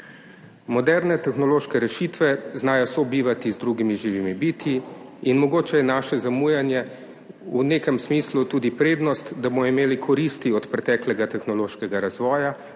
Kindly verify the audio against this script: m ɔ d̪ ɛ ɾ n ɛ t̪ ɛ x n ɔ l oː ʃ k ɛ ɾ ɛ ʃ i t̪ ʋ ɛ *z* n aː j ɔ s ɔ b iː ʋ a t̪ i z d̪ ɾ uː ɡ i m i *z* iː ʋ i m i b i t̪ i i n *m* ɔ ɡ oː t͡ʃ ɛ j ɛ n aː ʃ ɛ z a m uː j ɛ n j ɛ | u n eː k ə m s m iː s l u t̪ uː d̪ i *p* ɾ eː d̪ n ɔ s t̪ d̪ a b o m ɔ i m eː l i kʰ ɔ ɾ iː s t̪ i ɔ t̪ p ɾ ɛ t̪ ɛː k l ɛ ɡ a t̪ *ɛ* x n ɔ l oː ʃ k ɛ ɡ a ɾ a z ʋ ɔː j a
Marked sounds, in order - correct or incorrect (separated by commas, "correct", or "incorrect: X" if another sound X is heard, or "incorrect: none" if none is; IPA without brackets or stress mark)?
correct, incorrect: ʒ, correct, correct, correct